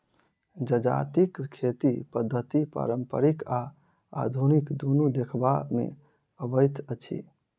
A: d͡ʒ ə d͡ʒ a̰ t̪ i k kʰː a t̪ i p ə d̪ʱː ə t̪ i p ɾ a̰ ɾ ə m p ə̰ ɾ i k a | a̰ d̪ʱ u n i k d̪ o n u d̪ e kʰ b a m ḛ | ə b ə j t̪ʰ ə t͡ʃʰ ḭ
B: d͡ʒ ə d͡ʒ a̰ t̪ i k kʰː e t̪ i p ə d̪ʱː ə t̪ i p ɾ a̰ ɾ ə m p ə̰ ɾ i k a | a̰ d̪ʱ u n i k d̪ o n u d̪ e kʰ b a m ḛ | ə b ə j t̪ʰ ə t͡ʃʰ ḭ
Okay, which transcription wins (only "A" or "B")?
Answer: B